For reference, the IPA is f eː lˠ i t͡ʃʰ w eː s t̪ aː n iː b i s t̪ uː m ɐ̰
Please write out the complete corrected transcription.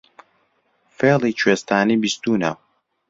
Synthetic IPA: f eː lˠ i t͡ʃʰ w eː s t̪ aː n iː b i s t̪ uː n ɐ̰